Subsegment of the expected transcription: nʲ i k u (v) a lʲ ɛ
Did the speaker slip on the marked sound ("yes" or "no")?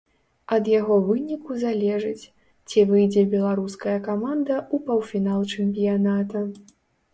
yes